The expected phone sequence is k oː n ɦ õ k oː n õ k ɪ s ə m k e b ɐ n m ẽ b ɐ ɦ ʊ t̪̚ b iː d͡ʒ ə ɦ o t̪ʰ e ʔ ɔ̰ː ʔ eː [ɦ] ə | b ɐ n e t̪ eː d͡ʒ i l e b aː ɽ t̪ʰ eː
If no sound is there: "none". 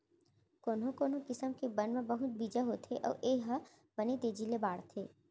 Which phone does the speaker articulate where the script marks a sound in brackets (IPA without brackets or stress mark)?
ɦ